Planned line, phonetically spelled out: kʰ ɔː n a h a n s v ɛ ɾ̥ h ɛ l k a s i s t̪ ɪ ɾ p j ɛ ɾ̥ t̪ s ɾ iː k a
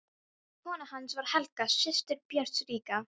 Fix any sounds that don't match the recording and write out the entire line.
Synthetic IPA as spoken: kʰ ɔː n a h a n s v a ɾ̥ h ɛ l k a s ɪ s t̪ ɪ ɾ p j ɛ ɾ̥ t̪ s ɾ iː k a